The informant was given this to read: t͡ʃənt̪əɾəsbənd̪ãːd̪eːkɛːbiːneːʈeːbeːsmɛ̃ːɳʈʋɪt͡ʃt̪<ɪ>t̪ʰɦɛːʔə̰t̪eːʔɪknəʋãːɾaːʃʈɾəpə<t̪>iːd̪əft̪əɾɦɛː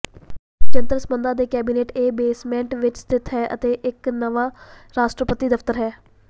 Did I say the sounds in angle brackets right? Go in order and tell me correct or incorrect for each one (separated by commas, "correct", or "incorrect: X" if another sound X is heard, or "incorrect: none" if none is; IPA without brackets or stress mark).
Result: correct, correct